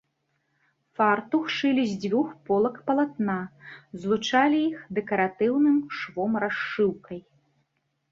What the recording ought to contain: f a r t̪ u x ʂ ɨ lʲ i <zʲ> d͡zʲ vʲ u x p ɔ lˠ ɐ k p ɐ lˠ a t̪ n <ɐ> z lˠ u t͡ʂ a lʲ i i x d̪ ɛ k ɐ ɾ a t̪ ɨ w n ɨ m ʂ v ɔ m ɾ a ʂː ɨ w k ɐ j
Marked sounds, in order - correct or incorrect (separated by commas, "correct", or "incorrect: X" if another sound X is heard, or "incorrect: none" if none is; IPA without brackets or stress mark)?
correct, incorrect: a